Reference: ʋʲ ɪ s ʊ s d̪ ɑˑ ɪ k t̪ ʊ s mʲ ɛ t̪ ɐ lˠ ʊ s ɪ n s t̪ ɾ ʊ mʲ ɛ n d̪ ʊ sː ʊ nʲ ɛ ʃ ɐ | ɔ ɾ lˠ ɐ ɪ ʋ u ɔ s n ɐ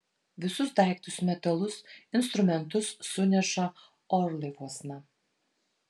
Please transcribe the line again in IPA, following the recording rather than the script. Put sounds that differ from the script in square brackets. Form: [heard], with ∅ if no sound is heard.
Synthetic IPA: ʋʲ ɪ s ʊ s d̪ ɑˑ ɪ k t̪ ʊ s mʲ ɛ t̪ ɐ lˠ ʊ s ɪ n s t̪ ɾ ʊ mʲ ɛ n [t̪] ʊ sː ʊ nʲ ɛ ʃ ɐ | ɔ ɾ lˠ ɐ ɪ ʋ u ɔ s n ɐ

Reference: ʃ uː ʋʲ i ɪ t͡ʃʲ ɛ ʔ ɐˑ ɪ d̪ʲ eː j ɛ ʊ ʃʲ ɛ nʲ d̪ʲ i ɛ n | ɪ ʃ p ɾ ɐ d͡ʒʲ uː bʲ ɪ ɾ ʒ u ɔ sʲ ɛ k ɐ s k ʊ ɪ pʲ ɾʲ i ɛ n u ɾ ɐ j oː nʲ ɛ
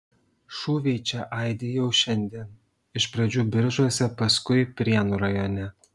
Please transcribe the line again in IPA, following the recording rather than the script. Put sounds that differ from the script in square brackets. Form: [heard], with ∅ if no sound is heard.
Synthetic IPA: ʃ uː ʋʲ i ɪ t͡ʃʲ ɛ ʔ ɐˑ ɪ d̪ʲ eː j ɛ ʊ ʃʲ ɛ nʲ d̪ʲ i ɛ n | ɪ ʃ p ɾ ɐ d͡ʒʲ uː bʲ ɪ ɾ ʒ u ɔ sʲ ɛ [p] ɐ s k ʊ ɪ pʲ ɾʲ i ɛ n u ɾ ɐ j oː nʲ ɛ

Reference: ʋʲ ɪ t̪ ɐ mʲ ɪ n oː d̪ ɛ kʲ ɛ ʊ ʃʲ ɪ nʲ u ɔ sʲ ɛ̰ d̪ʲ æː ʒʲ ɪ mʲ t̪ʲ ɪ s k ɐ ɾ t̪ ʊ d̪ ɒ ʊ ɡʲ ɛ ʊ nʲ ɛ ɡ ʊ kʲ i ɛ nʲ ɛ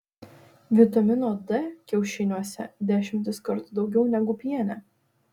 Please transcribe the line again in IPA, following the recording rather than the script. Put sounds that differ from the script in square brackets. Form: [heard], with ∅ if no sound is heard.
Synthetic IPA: ʋʲ ɪ t̪ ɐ mʲ ɪ n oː d̪ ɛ kʲ ɛ ʊ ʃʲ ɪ nʲ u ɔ sʲ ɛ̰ d̪ʲ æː [ʃʲ] ɪ mʲ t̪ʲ ɪ s k ɐ ɾ t̪ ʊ d̪ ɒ ʊ ɡʲ ɛ ʊ nʲ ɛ ɡ ʊ [pʲ] i ɛ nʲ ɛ

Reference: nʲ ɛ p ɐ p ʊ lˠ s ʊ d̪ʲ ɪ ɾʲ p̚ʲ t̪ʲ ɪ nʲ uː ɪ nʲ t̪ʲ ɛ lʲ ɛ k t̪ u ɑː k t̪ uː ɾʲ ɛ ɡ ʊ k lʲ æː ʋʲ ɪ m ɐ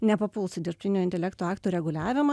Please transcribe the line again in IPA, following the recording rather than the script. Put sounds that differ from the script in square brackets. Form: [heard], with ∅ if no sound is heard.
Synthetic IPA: nʲ ɛ p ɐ p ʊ lˠ s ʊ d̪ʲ ɪ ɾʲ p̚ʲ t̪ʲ ɪ nʲ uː ɪ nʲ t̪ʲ ɛ lʲ ɛ k t̪ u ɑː k t̪ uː ɾʲ ɛ ɡ ʊ [∅] lʲ æː ʋʲ ɪ m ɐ

